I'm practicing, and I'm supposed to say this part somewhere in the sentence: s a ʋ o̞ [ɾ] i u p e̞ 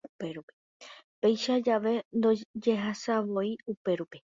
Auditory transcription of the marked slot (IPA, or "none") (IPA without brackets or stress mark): none